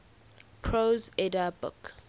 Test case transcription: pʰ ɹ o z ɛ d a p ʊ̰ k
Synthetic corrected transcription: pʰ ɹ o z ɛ d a b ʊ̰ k